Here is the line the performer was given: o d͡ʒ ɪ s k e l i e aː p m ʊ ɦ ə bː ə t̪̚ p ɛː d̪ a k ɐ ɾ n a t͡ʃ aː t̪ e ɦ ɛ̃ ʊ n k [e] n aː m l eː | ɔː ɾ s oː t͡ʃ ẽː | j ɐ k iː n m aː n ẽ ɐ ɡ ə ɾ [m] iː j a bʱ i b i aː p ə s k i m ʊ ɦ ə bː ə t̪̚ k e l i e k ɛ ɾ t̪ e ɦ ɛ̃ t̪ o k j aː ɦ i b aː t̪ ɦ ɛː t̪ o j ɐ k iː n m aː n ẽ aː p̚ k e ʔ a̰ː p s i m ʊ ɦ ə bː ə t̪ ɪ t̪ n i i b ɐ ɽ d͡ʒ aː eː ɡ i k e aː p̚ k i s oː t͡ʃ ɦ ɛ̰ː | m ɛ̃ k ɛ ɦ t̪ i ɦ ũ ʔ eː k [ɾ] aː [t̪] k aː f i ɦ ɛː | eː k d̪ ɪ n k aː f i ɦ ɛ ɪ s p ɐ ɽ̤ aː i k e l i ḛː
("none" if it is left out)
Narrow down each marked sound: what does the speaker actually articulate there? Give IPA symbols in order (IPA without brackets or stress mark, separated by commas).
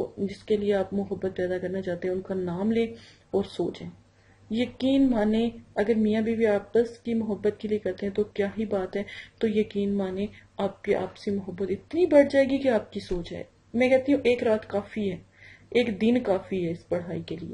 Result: a, m, ɾ, t̪